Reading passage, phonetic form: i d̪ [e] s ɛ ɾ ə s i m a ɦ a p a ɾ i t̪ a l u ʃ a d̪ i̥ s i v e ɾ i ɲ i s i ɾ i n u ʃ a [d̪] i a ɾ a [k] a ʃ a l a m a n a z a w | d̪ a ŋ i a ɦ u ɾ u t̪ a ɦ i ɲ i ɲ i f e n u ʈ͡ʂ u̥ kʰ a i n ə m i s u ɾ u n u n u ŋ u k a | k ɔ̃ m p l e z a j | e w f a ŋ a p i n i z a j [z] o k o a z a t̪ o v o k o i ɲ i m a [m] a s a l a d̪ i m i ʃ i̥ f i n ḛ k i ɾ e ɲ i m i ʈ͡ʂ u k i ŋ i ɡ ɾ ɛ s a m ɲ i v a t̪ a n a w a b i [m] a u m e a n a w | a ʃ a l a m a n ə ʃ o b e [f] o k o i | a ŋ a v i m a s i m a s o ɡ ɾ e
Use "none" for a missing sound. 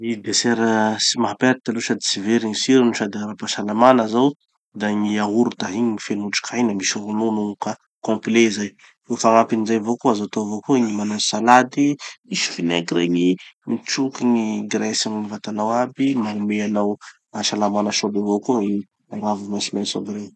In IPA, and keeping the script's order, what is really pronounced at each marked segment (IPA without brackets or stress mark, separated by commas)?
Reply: e, d̪, p, v, n, m, v